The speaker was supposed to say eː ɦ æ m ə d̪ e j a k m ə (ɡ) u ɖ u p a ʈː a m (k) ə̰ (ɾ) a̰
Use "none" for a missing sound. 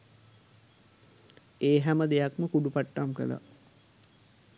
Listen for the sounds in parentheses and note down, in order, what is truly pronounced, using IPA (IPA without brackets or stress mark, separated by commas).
k, k, l